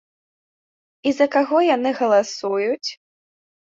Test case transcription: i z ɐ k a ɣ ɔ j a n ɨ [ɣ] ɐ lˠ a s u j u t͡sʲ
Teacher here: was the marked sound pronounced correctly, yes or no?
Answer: yes